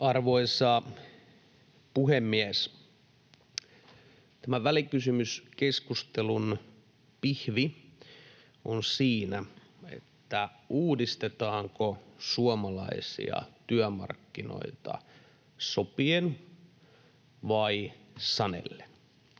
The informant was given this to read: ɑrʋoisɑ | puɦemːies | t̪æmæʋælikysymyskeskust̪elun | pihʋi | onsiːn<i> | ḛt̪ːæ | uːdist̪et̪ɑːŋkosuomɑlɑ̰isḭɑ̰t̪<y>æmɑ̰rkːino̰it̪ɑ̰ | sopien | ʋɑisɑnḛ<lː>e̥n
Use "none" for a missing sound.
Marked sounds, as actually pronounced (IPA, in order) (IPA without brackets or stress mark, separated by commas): æ, y, lː